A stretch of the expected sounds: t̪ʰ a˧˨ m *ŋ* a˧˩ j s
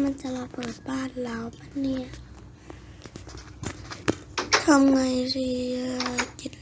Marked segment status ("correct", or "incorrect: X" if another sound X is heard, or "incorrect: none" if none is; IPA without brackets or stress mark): correct